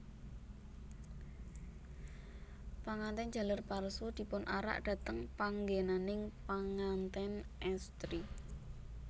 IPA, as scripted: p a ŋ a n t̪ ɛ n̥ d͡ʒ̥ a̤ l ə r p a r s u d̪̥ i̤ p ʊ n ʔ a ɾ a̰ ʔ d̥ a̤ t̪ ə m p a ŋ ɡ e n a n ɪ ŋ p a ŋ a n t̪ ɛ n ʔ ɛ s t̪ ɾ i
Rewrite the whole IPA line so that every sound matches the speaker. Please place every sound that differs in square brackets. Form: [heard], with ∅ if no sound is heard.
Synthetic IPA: p a ŋ a n t̪ ɛ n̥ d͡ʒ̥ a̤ l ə r p a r s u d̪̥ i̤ p ʊ n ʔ a ɾ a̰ ʔ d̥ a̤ t̪ ə [ŋ] p a ŋ ɡ e n a n ɪ ŋ p a ŋ a n t̪ ɛ n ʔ ɛ s t̪ ɾ i